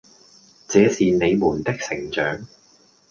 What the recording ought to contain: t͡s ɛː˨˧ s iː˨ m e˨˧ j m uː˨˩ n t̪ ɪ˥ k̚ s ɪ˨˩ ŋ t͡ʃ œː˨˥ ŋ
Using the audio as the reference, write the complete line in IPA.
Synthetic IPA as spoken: t͡s ɛː˨˧ s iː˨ n e˨˧ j m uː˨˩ n t̪ ɪ˥ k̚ s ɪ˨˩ ŋ t͡ʃ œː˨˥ ŋ